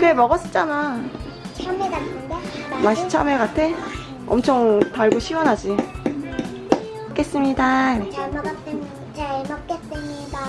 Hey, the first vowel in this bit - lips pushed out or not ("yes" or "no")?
no